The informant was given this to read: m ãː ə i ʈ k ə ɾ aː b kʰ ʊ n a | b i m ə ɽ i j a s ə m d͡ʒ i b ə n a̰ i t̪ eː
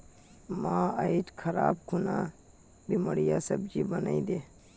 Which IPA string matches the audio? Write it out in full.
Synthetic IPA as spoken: m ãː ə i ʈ kʰ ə ɾ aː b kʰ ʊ n a | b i m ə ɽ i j a s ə b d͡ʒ i b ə n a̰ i d̪ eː